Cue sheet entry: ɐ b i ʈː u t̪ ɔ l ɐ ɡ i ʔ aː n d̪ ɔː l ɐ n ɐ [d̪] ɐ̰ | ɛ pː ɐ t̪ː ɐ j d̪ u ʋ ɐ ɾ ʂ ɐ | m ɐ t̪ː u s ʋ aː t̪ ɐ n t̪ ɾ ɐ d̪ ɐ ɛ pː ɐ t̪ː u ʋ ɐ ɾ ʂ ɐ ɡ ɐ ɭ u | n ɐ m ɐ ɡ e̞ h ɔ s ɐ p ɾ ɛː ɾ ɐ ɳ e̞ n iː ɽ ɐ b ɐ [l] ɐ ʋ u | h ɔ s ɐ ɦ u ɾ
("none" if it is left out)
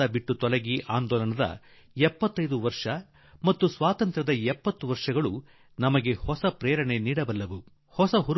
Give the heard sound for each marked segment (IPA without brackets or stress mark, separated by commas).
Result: d̪, lː